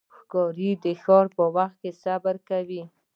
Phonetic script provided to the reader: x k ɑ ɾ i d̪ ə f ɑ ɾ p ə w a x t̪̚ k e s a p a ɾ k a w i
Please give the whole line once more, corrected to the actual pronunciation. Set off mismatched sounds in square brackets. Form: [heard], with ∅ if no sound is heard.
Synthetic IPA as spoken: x k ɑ ɾ i d̪ ə [x] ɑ ɾ p ə w a x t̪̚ k e s a [b] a ɾ k a w i